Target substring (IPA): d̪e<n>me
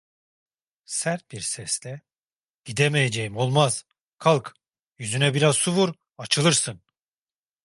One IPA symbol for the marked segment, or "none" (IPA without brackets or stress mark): none